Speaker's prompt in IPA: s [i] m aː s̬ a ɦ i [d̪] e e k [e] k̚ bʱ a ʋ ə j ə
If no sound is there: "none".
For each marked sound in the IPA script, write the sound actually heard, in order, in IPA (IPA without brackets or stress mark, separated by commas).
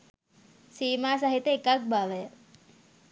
iː, t̪, a